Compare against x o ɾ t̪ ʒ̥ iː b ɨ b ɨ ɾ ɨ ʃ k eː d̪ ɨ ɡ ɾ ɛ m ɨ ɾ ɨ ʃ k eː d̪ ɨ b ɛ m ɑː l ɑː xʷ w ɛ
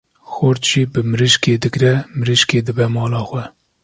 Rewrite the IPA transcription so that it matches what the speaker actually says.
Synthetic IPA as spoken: x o ɾ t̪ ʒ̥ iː b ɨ m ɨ ɾ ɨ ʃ k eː d̪ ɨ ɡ ɾ ɛ m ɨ ɾ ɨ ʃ k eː d̪ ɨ b ɛ m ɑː l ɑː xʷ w ɛ